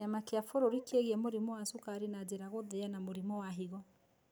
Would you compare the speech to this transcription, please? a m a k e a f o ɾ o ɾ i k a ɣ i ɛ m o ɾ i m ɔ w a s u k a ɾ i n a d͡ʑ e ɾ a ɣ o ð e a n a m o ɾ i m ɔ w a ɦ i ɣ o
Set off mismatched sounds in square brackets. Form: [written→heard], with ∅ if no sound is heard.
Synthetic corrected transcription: a m a k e a f o ɾ o ɾ i k [a→e] ɣ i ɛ m o ɾ i m ɔ w a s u k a ɾ i n a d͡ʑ e ɾ a ɣ o ð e a n a m o ɾ i m ɔ w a ɦ i ɣ [o→ɔ]